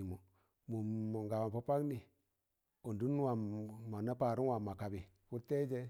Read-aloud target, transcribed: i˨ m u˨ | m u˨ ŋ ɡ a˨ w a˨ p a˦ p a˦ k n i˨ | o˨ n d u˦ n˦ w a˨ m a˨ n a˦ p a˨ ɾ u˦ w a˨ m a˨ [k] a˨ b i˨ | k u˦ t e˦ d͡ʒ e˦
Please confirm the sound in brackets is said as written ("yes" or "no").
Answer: yes